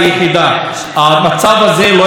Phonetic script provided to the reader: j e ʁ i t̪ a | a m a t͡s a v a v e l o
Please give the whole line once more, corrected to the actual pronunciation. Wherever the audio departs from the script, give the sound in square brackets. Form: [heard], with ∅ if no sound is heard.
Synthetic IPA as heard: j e [χ] i [d̪] a | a m a t͡s a v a [z] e l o